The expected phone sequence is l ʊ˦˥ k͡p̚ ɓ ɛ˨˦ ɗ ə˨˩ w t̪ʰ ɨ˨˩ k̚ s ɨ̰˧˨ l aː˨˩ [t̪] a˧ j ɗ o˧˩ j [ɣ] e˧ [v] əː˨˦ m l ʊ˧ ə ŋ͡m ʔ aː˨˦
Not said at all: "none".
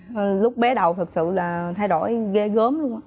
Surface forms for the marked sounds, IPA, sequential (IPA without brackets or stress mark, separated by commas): t̪ʰ, ɣ, ɣ